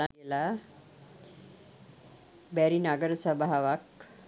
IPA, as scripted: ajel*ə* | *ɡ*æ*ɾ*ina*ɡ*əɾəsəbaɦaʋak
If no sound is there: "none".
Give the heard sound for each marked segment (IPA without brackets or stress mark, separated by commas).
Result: a, b, ɾ, ɡ